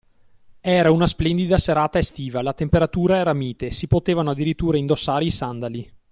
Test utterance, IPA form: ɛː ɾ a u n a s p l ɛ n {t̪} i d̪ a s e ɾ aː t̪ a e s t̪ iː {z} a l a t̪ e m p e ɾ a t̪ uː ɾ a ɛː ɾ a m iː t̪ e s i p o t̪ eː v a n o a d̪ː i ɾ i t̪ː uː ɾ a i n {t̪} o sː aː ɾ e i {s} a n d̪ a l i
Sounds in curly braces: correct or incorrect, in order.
incorrect: d̪, incorrect: v, incorrect: d̪, correct

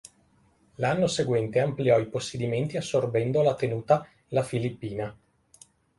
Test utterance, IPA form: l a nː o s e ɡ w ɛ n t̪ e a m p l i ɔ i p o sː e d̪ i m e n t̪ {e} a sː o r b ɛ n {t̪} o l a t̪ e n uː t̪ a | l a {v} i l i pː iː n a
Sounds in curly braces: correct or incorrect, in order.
incorrect: i, incorrect: d̪, incorrect: f

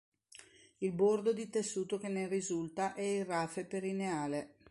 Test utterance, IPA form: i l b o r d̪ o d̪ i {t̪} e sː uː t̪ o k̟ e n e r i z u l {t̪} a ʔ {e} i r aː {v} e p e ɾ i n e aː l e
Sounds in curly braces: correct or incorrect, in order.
correct, correct, incorrect: ɛ, incorrect: f

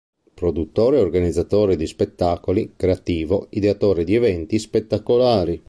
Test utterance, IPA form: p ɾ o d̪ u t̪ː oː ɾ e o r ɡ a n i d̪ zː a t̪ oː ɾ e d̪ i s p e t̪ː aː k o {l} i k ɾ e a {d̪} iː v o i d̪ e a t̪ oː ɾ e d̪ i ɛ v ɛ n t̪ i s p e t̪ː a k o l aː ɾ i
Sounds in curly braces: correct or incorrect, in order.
correct, incorrect: t̪

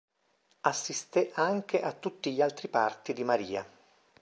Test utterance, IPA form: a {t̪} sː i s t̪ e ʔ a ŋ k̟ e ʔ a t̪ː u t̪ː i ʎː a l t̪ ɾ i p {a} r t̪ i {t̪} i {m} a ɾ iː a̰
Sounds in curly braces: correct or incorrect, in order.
incorrect: none, correct, incorrect: d̪, correct

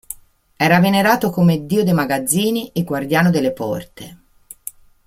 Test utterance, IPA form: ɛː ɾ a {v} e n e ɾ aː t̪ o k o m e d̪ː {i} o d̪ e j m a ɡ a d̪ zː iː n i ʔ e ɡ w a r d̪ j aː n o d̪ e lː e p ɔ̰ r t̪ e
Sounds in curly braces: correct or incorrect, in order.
correct, incorrect: iː

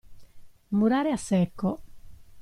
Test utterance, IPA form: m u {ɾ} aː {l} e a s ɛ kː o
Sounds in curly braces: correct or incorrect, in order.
correct, incorrect: ɾ

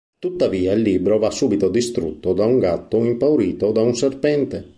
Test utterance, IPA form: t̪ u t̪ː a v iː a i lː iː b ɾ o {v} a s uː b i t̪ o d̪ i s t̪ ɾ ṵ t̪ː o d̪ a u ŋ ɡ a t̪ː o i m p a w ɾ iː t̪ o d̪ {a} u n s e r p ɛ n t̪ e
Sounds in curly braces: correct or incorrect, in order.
correct, correct

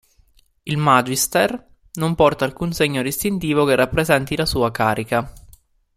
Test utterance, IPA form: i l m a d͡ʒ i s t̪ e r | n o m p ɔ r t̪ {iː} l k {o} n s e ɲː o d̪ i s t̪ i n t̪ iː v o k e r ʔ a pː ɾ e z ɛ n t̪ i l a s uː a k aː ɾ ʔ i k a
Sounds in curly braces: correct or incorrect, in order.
incorrect: aː, incorrect: u

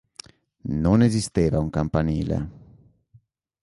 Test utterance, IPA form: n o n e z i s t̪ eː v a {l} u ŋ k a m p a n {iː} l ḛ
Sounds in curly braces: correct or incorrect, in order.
incorrect: none, correct

